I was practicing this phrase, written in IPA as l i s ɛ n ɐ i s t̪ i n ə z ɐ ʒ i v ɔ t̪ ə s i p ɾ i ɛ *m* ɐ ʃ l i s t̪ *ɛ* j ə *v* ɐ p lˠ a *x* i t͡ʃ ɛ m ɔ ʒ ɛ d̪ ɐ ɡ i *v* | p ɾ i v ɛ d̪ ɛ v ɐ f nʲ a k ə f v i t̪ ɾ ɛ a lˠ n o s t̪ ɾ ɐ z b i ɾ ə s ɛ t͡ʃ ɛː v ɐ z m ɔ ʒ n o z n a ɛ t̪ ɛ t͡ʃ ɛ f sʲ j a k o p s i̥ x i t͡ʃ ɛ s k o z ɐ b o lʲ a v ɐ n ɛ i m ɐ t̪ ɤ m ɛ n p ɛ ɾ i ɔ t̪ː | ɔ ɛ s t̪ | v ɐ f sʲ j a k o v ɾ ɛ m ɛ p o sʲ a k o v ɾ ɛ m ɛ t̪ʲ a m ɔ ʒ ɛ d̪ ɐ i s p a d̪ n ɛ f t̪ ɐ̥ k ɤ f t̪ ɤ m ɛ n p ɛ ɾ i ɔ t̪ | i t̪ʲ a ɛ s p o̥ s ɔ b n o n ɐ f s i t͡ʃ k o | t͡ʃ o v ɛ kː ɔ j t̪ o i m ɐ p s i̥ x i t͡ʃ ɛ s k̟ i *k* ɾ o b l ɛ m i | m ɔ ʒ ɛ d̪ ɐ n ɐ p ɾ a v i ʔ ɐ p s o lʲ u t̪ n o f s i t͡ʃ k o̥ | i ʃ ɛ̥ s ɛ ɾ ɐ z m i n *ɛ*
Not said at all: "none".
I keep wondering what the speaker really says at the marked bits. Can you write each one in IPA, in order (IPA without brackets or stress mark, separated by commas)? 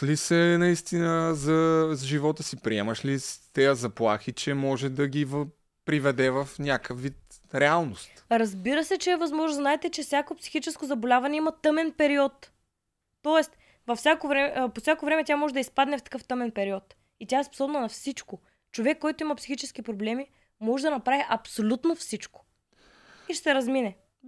m, ɛ, z, x, v, p, ɛ